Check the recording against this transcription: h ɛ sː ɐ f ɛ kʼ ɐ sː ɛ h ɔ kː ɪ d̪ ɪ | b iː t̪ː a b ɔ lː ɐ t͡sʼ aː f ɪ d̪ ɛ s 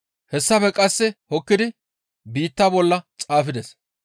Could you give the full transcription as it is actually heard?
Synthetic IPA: h ɛ sː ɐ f ɛ kʼ ɐ sː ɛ h ɔ kː ɪ d̪ ɪ | b iː t̪ː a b ɔ lː ɐ t͡sʼ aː f ɪ d̪ ɛ s